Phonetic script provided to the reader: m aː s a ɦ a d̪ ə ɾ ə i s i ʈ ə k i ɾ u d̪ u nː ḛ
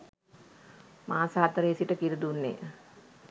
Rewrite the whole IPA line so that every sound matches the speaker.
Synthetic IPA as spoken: m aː s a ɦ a t̪ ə ɾ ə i s i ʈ ə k i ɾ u d̪ u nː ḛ